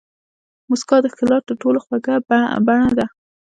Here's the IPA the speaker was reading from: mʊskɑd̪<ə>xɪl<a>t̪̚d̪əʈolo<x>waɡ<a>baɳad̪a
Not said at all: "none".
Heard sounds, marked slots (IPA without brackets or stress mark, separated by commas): ə, ɑ, x, a